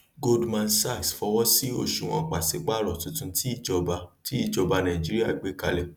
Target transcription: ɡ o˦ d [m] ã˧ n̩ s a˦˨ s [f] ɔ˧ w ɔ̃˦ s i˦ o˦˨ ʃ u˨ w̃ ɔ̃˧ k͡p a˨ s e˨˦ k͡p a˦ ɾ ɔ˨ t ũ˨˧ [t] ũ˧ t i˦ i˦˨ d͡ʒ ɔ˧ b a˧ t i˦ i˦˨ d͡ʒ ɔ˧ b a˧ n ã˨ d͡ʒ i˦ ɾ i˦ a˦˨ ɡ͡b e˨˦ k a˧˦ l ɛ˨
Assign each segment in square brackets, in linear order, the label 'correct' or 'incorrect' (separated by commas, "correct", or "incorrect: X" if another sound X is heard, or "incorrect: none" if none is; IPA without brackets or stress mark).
correct, correct, correct